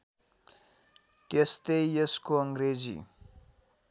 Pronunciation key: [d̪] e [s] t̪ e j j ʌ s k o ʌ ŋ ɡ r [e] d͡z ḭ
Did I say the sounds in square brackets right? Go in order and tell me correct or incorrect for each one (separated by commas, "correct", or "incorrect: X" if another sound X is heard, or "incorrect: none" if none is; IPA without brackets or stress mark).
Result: incorrect: t̪, correct, correct